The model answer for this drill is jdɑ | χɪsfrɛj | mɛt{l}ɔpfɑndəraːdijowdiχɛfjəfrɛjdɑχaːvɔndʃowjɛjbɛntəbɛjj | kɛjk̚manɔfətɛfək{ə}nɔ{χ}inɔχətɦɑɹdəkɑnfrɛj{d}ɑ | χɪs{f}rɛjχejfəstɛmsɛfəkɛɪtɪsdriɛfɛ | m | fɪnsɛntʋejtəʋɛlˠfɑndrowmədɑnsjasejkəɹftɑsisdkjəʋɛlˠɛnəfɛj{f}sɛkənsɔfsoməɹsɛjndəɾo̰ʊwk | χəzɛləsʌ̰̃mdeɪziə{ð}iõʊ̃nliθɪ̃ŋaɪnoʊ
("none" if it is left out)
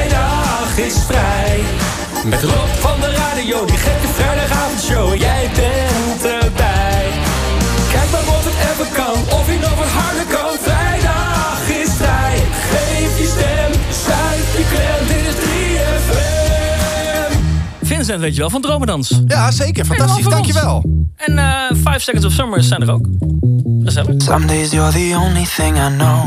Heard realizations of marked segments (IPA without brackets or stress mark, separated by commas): r, ɑ, f, d, f, f, ð